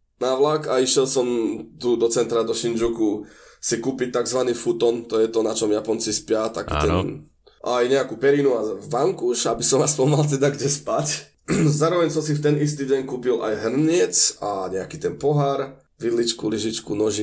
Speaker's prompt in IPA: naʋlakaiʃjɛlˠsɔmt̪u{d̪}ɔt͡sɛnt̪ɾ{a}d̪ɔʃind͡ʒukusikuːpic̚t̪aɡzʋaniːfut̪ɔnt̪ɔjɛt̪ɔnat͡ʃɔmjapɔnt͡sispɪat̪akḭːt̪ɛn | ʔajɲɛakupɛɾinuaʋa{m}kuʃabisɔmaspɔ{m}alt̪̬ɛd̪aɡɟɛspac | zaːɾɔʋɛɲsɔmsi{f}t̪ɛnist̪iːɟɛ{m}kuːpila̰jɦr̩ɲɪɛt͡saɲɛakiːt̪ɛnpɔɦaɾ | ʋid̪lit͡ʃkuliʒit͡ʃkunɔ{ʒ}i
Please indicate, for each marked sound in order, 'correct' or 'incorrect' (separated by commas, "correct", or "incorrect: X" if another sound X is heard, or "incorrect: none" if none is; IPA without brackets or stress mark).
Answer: correct, correct, incorrect: ŋ, correct, correct, incorrect: ɲ, correct